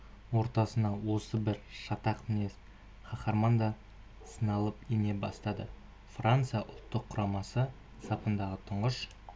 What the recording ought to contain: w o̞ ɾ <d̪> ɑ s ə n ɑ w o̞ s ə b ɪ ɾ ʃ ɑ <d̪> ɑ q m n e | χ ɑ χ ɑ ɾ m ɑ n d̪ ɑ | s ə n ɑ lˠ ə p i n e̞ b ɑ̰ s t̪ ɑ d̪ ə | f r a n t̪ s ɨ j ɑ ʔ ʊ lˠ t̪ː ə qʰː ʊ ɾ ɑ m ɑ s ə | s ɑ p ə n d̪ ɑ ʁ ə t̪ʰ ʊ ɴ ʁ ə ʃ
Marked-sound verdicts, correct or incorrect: incorrect, incorrect

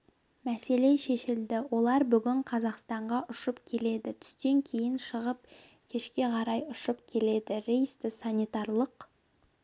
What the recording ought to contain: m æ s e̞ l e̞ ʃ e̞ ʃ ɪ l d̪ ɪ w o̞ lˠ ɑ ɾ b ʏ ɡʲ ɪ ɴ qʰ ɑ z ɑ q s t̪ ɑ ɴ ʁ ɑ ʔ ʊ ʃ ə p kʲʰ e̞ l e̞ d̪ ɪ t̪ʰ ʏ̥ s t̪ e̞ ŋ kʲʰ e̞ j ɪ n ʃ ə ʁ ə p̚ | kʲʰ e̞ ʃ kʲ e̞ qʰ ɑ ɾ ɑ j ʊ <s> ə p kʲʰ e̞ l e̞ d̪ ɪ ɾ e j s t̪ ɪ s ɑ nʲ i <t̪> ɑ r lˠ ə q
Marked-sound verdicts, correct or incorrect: incorrect, correct

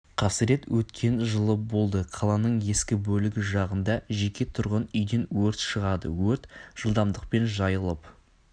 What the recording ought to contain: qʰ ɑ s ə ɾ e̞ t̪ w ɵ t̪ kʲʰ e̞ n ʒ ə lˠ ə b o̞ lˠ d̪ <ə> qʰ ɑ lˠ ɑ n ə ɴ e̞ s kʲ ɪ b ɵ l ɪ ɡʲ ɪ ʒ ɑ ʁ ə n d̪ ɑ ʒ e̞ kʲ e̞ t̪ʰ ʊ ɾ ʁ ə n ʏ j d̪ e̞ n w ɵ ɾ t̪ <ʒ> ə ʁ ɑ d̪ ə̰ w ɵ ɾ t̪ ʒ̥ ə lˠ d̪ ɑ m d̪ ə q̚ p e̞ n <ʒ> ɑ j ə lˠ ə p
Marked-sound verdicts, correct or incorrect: correct, incorrect, correct

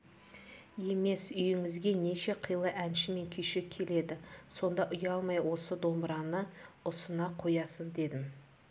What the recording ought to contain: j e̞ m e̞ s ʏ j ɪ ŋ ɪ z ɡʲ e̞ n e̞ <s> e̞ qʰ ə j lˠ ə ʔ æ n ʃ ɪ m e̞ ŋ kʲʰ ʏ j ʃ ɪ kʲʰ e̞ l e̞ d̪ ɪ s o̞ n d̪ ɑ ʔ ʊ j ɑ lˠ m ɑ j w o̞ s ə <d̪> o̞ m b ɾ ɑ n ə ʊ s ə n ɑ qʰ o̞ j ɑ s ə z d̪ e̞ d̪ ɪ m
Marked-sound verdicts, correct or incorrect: incorrect, correct

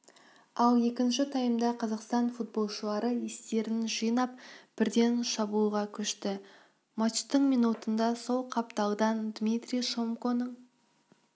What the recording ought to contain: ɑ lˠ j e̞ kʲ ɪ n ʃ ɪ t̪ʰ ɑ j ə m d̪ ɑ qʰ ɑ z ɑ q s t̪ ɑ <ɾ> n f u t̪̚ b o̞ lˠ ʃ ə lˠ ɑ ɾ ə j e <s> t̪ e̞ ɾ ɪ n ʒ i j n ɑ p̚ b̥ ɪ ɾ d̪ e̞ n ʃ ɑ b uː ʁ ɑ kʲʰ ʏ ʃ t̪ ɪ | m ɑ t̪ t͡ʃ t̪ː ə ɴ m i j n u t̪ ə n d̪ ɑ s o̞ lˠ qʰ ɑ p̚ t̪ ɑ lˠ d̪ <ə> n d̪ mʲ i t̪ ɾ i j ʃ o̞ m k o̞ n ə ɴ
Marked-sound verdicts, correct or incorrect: incorrect, correct, incorrect

